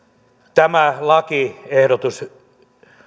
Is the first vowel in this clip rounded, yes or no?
no